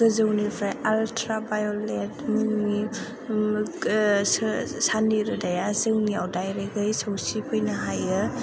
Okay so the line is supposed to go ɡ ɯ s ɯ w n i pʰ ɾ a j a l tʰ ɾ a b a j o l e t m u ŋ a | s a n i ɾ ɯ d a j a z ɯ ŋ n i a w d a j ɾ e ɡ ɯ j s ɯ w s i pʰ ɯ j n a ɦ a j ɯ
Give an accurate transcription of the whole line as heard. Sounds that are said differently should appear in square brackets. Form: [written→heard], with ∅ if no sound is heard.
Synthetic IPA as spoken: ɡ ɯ [s→z] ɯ w n i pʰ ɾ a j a l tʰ ɾ a b a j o l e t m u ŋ [a→i] | s a n i ɾ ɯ d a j a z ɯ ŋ n i a w d a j ɾ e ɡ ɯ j s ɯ w s i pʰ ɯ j n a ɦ a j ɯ